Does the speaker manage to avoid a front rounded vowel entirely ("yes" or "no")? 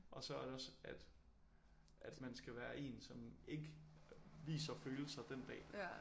no